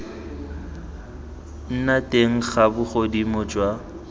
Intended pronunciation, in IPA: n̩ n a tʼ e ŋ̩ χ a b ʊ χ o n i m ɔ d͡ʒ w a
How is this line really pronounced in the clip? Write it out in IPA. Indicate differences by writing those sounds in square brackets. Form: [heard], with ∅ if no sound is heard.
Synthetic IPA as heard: n̩ n a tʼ e ŋ̩ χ a b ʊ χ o [d] i m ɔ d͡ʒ w a